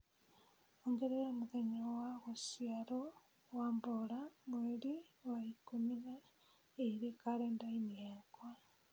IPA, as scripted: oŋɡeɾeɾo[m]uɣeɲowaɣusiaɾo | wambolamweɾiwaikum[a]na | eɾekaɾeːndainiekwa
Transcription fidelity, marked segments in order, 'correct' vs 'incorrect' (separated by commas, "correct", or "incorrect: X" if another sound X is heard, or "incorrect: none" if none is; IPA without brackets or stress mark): correct, incorrect: i